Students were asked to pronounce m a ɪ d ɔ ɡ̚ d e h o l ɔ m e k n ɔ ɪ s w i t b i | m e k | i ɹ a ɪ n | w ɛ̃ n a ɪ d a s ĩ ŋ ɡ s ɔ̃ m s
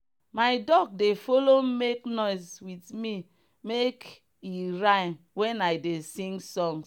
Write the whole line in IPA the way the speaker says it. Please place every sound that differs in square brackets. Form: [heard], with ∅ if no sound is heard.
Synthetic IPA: m a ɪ d ɔ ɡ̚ d e [f] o l [o] m e k n ɔ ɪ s w i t [m] i | m e k | i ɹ a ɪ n | w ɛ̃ n a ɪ d [e] s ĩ ŋ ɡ s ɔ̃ [ŋ] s